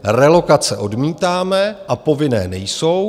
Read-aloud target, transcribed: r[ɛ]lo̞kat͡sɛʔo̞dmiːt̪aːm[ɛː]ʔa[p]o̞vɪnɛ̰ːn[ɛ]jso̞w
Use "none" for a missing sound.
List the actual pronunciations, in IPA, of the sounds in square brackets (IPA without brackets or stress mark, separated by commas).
ɛ, ɛ, p, ɛ